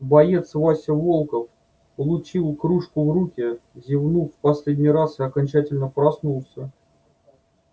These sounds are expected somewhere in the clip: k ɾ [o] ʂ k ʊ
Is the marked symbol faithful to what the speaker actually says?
no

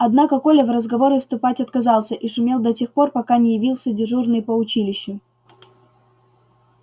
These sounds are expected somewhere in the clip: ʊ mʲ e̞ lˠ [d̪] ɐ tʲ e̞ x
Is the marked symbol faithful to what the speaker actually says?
yes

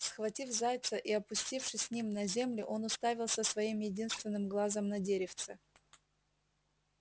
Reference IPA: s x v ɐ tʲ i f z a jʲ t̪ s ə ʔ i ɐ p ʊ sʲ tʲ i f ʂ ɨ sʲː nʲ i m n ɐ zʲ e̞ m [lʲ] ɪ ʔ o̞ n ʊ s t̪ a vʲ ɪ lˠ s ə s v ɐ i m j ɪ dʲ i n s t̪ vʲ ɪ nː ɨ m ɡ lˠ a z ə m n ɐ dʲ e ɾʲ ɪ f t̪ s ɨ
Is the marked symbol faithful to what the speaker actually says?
yes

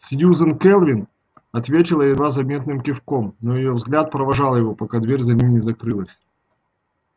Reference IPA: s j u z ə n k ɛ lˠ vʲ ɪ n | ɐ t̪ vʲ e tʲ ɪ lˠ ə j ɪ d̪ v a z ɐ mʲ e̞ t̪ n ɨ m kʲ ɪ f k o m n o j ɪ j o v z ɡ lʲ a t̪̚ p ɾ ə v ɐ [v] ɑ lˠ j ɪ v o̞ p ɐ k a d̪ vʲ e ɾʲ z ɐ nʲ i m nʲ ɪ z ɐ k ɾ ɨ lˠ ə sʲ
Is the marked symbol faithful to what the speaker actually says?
no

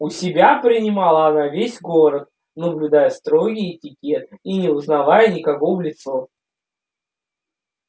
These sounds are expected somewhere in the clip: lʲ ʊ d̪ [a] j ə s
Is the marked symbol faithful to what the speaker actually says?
yes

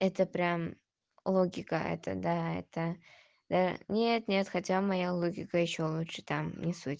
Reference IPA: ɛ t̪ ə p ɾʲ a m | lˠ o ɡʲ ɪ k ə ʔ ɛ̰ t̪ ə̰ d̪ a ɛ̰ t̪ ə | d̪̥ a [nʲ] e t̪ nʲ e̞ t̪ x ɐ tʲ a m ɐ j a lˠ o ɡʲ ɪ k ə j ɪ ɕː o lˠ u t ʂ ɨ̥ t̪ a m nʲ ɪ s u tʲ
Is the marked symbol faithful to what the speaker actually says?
yes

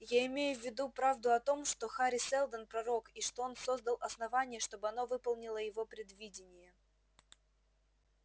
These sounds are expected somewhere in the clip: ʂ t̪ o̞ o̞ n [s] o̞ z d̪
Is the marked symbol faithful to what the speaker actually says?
yes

